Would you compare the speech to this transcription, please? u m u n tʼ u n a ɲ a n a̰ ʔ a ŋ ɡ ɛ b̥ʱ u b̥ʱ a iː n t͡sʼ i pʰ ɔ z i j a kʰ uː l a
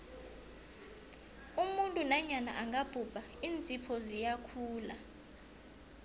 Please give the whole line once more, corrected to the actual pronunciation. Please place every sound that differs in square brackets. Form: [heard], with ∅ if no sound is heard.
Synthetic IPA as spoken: u m u n tʼ u n a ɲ a n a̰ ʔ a ŋ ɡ [a] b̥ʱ u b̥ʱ a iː n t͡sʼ i pʰ ɔ z i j a kʰ uː l a